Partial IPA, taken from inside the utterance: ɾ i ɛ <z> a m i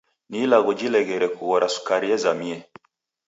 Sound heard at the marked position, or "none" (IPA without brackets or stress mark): z